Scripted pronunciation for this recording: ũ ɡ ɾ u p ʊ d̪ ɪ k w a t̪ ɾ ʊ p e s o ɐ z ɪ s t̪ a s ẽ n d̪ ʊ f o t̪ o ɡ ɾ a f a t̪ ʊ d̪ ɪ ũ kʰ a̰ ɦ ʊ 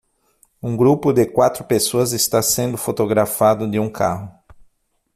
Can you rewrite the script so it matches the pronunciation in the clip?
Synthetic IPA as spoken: ũ ɡ ɾ u p ʊ d̪ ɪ k w a t̪ ɾ ʊ p e s o ɐ z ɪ s t̪ a s ẽ n d̪ ʊ f o t̪ o ɡ ɾ a f a d̪ ʊ d̪ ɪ ũ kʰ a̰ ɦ ʊ